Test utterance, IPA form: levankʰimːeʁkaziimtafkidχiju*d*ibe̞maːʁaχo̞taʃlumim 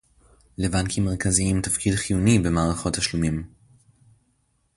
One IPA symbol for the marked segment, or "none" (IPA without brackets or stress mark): n